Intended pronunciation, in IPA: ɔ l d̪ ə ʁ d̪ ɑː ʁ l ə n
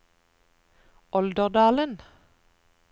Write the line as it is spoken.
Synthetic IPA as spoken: ɔ l d̪ ə ʁ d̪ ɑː l ə n